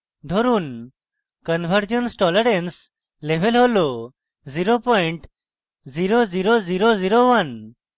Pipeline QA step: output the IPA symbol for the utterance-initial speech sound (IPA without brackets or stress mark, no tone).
d̪ʱ